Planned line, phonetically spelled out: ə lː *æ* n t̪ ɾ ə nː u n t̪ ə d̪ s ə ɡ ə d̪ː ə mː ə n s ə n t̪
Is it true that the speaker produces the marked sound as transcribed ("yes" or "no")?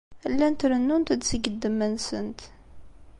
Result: yes